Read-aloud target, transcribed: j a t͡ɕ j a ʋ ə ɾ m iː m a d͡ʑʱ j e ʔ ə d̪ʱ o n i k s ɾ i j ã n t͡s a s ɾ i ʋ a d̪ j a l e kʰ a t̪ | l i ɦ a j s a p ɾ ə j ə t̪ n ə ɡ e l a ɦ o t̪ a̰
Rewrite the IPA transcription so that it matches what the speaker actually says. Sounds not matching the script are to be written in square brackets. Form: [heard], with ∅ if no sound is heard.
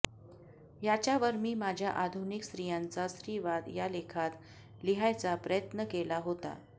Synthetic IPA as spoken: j a t͡ɕ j a ʋ ə ɾ m iː m a d͡ʑʱ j [a] ʔ [a] d̪ʱ [u] n i k s ɾ i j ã n t͡s a s ɾ i ʋ a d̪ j a l e kʰ a t̪ | l i ɦ a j [t͡s] a p ɾ ə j ə t̪ n ə [k] e l a ɦ o t̪ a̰

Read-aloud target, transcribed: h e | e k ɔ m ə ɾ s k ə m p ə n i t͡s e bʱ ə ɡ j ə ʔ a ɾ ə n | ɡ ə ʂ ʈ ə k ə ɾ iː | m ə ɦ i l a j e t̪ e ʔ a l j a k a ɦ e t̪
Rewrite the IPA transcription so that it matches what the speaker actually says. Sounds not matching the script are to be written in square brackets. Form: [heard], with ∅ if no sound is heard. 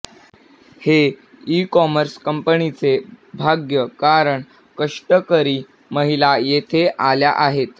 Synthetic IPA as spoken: h e | [i] k ɔ m ə ɾ s k ə m p ə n i t͡s e bʱ [a] ɡ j ə [k] a ɾ ə [ɳ] | [k] ə ʂ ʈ ə k ə ɾ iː | m ə ɦ i l a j e [t̪ʰ] e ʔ a l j a [ʔ] a ɦ e t̪

